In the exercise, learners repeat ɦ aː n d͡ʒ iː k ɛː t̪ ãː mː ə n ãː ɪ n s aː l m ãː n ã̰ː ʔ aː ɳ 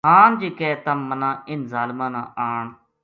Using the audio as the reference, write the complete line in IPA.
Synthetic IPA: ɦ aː n d͡ʒ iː k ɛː t̪ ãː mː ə n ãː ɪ n z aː l m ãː n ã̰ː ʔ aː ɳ